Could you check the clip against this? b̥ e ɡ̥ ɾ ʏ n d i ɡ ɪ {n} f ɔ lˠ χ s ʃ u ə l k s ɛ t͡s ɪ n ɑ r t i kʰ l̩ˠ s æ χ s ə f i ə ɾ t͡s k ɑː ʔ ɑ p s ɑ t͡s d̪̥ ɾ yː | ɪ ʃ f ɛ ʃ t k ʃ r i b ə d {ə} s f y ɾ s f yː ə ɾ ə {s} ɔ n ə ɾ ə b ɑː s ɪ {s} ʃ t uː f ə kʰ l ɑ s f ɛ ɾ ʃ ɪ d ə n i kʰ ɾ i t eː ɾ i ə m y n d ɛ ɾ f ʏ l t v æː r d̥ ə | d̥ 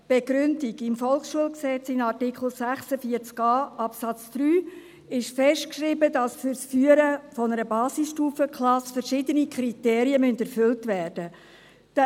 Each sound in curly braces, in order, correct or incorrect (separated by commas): incorrect, incorrect, incorrect, correct